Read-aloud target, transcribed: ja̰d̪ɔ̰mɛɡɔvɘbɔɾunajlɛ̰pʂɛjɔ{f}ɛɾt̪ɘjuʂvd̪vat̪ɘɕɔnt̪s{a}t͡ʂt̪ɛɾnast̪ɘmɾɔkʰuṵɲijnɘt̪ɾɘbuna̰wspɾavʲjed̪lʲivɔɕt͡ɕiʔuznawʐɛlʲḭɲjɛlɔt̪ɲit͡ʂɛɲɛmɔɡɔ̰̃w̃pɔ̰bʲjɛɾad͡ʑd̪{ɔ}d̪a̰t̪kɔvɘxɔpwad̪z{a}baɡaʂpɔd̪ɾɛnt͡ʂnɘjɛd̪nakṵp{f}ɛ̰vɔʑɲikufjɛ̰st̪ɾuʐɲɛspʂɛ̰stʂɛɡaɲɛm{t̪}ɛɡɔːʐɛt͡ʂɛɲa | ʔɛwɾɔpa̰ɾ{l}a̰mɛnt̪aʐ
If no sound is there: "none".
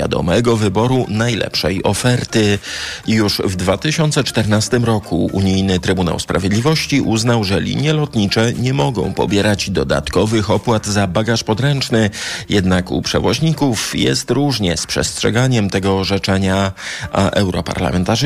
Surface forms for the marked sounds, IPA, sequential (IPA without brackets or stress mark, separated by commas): f, ɛ, ɔ, a, ʂ, t̪, l